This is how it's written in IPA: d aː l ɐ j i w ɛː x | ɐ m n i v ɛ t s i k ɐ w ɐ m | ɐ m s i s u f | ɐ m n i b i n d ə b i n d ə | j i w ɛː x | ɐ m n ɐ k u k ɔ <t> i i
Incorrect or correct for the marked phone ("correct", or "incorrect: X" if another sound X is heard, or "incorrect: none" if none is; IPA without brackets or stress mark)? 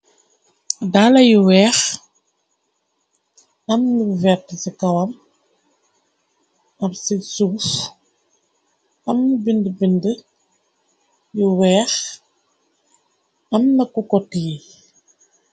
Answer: correct